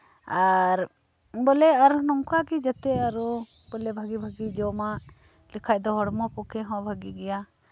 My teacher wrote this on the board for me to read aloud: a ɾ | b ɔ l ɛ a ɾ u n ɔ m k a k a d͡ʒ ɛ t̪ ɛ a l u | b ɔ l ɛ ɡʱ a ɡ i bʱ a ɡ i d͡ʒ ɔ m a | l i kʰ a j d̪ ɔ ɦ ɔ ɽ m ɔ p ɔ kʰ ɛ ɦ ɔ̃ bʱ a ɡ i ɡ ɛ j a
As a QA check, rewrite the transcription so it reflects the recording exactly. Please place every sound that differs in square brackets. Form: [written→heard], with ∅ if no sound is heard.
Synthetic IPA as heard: a ɾ | b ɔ l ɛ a ɾ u n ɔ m k a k [a→i] d͡ʒ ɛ t̪ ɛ a [l→ɾ] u | b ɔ l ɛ [ɡʱ→bʱ] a ɡ i bʱ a ɡ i d͡ʒ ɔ m a | l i kʰ a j d̪ ɔ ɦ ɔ ɽ m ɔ p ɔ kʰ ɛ ɦ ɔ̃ bʱ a ɡ i ɡ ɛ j a